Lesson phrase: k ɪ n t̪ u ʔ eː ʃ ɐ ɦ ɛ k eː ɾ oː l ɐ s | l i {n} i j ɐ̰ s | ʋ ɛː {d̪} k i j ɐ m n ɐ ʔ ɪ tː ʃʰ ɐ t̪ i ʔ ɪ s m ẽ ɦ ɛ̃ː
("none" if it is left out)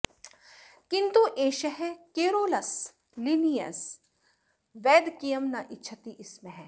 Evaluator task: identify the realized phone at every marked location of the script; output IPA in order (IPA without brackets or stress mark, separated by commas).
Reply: n, d̪